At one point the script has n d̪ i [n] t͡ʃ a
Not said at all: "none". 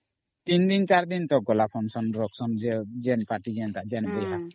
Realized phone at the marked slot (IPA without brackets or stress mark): n